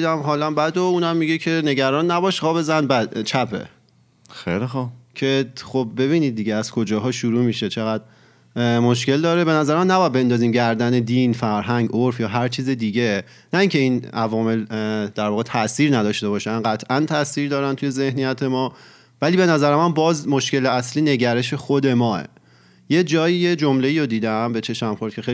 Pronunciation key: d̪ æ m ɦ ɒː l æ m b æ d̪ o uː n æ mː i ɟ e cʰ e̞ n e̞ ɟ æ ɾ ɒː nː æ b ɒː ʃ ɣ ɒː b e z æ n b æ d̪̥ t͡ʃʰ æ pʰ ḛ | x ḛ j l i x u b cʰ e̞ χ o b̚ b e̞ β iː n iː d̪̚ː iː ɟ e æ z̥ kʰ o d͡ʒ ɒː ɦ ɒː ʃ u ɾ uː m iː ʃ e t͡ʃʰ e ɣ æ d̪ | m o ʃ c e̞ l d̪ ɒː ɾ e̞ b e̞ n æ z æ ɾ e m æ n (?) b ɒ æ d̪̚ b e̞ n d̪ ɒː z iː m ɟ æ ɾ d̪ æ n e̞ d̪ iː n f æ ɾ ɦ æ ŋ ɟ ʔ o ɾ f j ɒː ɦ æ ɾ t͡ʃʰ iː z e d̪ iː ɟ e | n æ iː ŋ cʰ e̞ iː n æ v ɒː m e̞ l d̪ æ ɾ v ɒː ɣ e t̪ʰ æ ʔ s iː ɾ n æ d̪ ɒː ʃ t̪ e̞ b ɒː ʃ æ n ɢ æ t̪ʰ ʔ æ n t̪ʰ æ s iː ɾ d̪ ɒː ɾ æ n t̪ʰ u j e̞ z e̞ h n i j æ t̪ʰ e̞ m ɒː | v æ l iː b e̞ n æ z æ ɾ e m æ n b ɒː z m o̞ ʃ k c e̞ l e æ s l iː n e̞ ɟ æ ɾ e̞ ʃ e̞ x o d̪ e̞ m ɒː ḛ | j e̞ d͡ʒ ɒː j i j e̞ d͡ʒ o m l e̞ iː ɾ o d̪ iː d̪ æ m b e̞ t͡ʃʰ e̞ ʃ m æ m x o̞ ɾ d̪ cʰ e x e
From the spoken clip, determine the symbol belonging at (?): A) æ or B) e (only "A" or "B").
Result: A